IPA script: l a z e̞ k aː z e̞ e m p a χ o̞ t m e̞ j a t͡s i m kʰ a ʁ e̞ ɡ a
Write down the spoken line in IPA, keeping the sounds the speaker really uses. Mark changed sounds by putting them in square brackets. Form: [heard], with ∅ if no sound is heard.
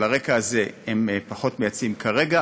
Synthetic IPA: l a [ʁ] e̞ k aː z e̞ e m p a χ o̞ t m e̞ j a t͡s i m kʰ a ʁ e̞ ɡ a